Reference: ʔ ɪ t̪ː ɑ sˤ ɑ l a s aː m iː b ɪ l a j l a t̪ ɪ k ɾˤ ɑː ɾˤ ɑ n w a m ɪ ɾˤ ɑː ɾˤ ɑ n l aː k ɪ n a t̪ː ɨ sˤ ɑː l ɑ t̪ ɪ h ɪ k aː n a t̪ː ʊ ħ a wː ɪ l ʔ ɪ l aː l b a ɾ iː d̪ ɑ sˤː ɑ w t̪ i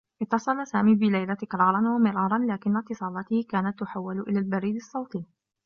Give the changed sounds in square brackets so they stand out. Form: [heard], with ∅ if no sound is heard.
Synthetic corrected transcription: ʔ ɪ t̪ː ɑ sˤ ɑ l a s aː m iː b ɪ l a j l a t̪ ɪ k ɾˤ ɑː ɾˤ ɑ n w a m ɪ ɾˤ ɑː ɾˤ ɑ n l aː k ɪ [nː] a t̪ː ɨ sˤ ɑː l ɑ t̪ ɪ h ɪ k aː n a t̪ː ʊ ħ a wː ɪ l ʔ ɪ l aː l b a ɾ iː d̪ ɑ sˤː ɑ w t̪ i